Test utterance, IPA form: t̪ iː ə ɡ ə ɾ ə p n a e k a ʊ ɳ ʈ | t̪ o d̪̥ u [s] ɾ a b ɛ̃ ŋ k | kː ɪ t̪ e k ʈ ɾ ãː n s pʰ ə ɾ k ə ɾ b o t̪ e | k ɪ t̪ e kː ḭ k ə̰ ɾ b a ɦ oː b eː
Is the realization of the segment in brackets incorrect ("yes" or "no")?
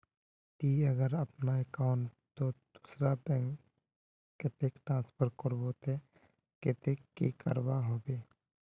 no